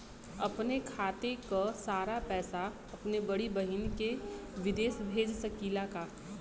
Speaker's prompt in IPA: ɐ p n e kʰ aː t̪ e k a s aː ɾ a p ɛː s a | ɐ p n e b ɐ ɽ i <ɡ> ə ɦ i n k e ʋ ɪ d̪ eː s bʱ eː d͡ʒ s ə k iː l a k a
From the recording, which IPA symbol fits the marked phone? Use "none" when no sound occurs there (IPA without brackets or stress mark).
b